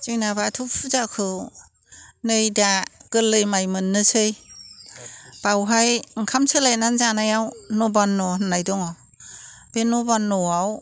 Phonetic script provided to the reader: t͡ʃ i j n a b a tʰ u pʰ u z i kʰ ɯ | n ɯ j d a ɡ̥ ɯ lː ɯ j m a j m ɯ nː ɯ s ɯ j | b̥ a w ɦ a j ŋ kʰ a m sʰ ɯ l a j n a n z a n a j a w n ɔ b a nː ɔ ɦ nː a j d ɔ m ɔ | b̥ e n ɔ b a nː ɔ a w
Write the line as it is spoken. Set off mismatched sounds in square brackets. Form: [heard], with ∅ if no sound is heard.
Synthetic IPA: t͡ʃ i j n a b a tʰ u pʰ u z [a] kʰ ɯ | n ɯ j d a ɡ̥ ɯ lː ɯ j m a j m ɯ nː ɯ s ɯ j | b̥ a w ɦ a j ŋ kʰ a m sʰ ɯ l a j n a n z a n a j a w n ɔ b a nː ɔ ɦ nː a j d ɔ [ŋ] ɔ | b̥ e n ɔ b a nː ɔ a w